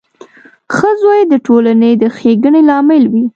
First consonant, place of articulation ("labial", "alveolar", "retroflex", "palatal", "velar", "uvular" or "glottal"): velar